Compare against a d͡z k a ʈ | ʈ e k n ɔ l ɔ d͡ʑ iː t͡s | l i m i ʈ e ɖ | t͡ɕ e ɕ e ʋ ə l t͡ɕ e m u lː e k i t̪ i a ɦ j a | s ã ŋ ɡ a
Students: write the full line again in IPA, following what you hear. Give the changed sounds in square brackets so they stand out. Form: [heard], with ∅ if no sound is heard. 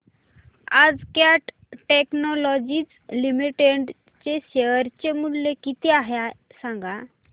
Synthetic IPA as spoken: a d͡z k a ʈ | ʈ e k n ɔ l ɔ d͡ʑ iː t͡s | l i m i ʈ e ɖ | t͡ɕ e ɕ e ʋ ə [ɾ] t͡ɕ e m u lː e k i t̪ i a ɦ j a | s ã ŋ ɡ a